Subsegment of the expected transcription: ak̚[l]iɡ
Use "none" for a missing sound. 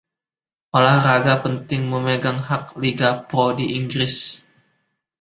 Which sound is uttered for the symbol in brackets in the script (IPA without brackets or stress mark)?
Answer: l